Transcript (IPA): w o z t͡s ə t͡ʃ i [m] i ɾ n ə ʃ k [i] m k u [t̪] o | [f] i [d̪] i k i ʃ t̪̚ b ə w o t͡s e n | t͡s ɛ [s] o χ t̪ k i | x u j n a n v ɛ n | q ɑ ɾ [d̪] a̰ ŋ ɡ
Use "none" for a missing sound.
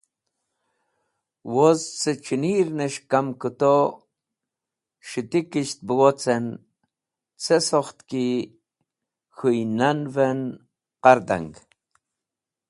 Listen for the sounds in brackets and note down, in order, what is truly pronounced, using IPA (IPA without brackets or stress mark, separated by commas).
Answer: n, a, t̪, ʃ, t̪, s, d̪